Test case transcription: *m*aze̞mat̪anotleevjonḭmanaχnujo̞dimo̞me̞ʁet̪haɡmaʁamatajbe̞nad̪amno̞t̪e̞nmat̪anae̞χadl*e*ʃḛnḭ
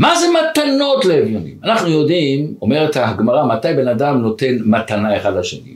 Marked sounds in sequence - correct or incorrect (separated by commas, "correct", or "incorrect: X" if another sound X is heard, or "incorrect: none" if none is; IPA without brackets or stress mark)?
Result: correct, incorrect: a